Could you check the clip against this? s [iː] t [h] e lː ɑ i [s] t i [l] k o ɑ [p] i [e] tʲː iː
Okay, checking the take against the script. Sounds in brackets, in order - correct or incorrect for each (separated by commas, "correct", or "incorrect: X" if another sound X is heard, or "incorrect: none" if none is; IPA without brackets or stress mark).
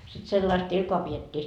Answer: incorrect: i, incorrect: s, correct, correct, correct, correct